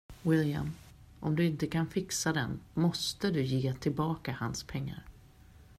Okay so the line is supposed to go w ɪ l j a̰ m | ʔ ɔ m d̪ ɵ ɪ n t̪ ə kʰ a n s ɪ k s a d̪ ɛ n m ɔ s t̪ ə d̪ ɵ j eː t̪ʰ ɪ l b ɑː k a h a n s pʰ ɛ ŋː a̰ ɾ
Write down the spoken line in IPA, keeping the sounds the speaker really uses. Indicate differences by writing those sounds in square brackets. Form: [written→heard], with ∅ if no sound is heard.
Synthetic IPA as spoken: w ɪ l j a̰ m | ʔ ɔ m d̪ ɵ ɪ n t̪ ə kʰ a n [s→f] ɪ k s a d̪ ɛ n m ɔ s t̪ ə d̪ ɵ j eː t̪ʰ ɪ l b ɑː k a h a n s pʰ ɛ ŋː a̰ ɾ